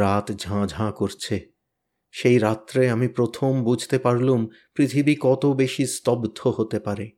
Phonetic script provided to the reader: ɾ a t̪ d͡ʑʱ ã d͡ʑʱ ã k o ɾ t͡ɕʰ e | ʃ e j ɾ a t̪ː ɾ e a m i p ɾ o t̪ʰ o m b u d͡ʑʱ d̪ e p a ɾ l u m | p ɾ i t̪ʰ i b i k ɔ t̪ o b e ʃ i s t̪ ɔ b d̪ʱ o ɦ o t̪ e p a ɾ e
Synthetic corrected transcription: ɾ a t̪ d͡ʑʱ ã d͡ʑʱ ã k o ɾ t͡ɕʰ e | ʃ e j ɾ a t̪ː ɾ e a m i p ɾ o t̪ʰ o m b u d͡ʑʱ t̪ e p a ɾ l u m | p ɾ i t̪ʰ i b i k ɔ t̪ o b e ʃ i s t̪ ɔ b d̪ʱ o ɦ o t̪ e p a ɾ e